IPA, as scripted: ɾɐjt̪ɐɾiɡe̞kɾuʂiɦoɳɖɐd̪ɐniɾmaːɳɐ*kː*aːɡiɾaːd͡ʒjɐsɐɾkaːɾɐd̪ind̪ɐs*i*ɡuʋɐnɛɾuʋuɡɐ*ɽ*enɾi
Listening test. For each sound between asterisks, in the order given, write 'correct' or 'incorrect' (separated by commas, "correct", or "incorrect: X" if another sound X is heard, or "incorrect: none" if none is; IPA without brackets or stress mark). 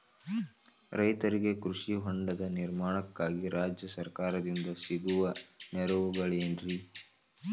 correct, correct, incorrect: ɭ